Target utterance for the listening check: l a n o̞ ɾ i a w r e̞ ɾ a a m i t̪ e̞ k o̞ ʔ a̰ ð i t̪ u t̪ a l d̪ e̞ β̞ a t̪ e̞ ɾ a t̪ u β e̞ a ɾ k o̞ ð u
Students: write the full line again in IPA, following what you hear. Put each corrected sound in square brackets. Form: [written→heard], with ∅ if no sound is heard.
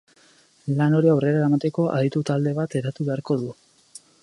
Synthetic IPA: l a n o̞ ɾ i a w r e̞ ɾ a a m [i→a] t̪ e̞ k o̞ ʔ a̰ ð i t̪ u t̪ a l d̪ e̞ β̞ a t̪ e̞ ɾ a t̪ u β e̞ a ɾ k o̞ ð u